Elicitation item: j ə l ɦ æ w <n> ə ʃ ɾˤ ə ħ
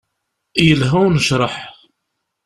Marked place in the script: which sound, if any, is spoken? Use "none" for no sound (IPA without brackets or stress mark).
n